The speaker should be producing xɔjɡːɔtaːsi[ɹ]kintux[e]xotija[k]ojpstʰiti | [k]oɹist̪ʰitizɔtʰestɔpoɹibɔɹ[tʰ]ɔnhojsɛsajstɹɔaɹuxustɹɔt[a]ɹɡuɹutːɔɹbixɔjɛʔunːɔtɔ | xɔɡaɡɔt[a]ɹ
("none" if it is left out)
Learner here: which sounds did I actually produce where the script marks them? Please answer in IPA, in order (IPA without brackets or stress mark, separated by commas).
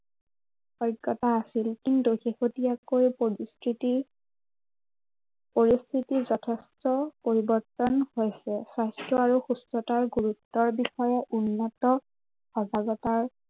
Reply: l, e, k, p, t, a, a